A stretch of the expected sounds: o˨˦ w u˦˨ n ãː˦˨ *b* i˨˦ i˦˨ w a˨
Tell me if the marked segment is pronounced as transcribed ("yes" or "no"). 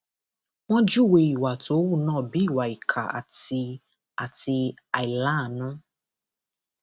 yes